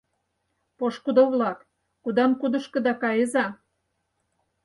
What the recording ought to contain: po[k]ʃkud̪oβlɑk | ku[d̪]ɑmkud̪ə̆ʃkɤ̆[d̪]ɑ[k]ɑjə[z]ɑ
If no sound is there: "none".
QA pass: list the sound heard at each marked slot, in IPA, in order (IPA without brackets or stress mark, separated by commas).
none, d̪, d̪, k, z